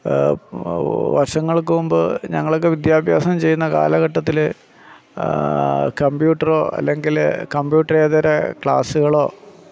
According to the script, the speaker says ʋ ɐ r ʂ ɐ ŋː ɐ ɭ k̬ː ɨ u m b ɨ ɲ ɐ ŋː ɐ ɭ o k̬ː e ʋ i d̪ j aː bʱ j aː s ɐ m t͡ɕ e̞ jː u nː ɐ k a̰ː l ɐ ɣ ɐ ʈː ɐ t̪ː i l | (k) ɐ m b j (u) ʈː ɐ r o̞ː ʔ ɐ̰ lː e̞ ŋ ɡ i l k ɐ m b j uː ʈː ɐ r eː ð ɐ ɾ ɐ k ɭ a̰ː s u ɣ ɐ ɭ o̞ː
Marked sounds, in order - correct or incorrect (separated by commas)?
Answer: correct, incorrect